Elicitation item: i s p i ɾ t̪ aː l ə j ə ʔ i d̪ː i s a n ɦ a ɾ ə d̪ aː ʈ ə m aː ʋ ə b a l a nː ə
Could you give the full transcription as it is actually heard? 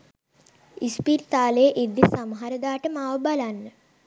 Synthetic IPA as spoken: i s p i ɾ t̪ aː l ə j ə ʔ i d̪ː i s a m ɦ a ɾ ə d̪ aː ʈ ə m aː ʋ ə b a l a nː ə